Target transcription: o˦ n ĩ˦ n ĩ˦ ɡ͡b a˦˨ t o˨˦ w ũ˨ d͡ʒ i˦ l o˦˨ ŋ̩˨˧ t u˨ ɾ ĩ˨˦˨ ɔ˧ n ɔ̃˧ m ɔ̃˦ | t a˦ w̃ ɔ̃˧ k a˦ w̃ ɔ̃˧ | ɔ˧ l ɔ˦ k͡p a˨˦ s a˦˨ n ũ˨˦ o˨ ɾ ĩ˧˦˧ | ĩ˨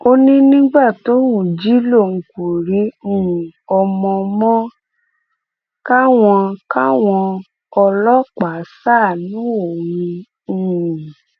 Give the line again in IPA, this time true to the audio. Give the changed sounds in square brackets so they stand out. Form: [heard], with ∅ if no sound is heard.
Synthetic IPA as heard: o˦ n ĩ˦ n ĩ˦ ɡ͡b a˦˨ t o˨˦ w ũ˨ d͡ʒ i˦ l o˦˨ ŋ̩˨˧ [k] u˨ ɾ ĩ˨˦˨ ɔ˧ [m] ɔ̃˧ m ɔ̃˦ | [k] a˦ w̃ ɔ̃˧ k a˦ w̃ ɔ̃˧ | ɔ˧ l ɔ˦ k͡p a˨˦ s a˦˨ n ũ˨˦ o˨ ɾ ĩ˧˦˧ | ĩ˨